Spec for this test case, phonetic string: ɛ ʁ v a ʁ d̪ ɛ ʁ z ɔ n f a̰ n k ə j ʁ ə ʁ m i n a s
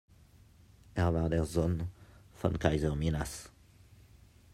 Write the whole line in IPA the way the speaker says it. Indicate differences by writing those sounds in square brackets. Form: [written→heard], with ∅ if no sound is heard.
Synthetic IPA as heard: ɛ ʁ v a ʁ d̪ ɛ ʁ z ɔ n f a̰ n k [ə→a] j [ʁ→z] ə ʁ m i n a s